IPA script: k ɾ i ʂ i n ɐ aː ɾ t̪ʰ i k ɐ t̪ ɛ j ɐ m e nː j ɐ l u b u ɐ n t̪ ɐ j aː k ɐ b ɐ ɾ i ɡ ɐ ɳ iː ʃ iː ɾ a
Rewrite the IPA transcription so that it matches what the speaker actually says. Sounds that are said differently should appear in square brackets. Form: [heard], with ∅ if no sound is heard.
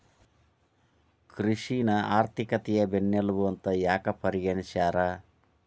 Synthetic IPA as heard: k ɾ i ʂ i n ɐ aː ɾ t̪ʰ i k ɐ t̪ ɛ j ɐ [b] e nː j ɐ l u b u ɐ n t̪ ɐ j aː k ɐ [p] ɐ ɾ i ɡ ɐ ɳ [i] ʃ [aː] ɾ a